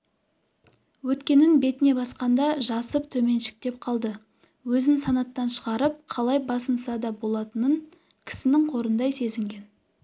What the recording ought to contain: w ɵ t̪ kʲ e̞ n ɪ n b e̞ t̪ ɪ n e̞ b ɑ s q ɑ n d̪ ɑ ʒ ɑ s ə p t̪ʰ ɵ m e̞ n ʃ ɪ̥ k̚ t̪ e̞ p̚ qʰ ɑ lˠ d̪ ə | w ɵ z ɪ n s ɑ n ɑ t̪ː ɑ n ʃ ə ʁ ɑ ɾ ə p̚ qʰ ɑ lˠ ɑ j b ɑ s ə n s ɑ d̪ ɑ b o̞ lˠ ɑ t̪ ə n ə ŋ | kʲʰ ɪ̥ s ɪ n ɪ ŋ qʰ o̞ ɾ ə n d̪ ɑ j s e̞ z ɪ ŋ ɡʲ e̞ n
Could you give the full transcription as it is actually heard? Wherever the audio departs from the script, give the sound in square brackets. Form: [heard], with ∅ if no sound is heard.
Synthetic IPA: w ɵ t̪ kʲ e̞ n ɪ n b e̞ t̪ ɪ n e̞ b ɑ s q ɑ n d̪ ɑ ʒ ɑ s ə p t̪ʰ ɵ m e̞ n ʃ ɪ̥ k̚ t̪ e̞ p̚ qʰ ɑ lˠ d̪ ə | w ɵ z ɪ n s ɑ n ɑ t̪ː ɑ n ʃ ə ʁ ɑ ɾ ə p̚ qʰ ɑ lˠ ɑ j b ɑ s ə n s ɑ d̪ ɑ b o̞ lˠ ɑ t̪ ə n ə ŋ | kʲʰ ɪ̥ s ɪ n ɪ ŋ qʰ o̞ ɾ ə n d̪ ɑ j s e̞ z ɪ ŋ ɡʲ e̞ n